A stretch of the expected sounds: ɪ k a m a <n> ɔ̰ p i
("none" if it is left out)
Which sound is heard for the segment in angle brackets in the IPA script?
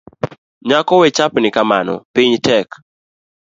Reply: n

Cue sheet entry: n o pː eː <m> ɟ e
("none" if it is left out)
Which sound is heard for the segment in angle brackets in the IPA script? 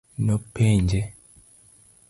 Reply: ɲ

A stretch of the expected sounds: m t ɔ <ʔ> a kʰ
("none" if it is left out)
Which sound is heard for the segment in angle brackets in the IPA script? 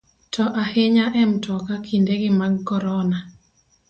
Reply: k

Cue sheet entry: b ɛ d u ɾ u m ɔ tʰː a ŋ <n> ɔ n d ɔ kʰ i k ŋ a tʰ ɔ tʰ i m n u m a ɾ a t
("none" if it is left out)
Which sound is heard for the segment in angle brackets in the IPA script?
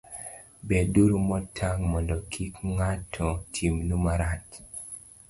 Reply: m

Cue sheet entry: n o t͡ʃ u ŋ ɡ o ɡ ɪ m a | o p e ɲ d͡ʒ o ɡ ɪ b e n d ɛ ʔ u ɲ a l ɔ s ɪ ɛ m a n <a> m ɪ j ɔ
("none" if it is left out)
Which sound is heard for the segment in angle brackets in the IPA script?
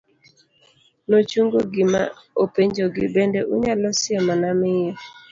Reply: a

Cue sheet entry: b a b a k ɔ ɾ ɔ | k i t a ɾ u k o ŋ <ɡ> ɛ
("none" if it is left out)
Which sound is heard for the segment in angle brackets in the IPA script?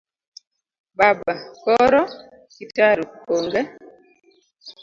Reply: ɡ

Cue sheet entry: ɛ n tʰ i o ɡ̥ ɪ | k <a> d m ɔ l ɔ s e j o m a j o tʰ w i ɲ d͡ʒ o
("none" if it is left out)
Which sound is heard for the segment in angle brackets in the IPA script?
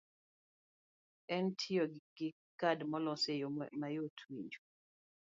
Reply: a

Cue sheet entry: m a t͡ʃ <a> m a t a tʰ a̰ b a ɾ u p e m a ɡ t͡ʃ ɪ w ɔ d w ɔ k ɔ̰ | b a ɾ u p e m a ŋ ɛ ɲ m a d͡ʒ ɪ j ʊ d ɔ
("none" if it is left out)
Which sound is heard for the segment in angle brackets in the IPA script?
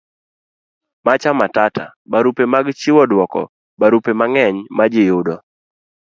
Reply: a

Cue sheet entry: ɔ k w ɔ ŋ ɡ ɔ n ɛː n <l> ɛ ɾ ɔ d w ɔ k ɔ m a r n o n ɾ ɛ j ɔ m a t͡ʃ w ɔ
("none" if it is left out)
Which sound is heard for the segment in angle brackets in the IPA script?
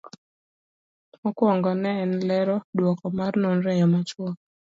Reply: l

